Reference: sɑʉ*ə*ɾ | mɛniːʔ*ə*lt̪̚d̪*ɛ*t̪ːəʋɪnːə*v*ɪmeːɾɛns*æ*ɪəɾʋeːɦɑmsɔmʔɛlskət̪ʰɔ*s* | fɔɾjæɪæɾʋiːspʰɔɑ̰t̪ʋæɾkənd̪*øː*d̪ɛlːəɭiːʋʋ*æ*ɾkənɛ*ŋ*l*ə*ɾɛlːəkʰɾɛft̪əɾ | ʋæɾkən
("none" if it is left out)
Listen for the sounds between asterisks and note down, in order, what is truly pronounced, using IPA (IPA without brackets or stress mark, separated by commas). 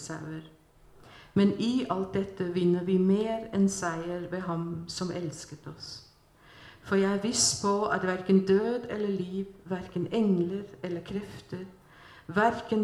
ə, ɑ, ɛ, ʋ, æ, s, øː, æ, ŋ, ə